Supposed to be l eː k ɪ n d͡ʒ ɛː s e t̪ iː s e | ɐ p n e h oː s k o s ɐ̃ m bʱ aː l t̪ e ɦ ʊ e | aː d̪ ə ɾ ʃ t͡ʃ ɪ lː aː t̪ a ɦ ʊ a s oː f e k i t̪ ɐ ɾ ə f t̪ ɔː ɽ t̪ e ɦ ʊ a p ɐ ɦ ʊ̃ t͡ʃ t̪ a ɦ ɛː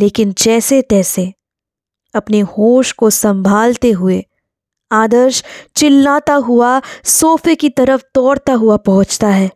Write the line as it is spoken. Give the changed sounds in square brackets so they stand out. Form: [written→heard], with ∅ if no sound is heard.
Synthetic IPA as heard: l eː k ɪ n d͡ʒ ɛː s e t̪ [iː→ɛː] s e | ɐ p n e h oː [s→ʃ] k o s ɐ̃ m bʱ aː l t̪ e ɦ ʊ e | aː d̪ ə ɾ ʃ t͡ʃ ɪ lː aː t̪ a ɦ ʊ a s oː f e k i t̪ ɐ ɾ ə f t̪ ɔː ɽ t̪ [e→a] ɦ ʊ a p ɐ ɦ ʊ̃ t͡ʃ t̪ a ɦ ɛː